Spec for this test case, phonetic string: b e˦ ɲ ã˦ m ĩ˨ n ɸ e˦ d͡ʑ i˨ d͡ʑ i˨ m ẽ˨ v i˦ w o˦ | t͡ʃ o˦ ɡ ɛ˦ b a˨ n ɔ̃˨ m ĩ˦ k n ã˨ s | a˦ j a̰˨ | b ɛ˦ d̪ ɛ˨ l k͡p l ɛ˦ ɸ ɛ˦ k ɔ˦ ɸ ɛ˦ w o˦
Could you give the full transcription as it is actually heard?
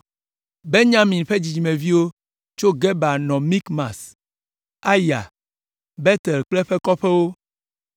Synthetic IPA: b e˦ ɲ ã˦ m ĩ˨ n ɸ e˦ d͡ʑ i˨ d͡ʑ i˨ m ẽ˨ v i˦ w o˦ | t͡ʃ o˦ ɡ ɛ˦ b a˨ n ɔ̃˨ m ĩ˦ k m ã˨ s | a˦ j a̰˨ | b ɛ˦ t̪ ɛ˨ l k͡p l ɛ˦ ɸ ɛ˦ k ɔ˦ ɸ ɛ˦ w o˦